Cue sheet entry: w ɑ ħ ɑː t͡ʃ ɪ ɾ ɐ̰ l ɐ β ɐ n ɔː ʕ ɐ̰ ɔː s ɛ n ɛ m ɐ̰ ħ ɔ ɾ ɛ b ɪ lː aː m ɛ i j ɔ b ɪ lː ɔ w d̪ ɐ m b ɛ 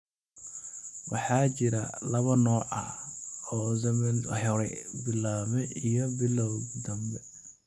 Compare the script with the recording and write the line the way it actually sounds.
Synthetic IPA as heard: w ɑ ħ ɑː t͡ʃ ɪ ɾ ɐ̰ l ɐ β ɐ n ɔː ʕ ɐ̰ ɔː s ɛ m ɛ n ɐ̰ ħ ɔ ɾ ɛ b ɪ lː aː m ɛ i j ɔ b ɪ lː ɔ w d̪ ɐ m b ɛ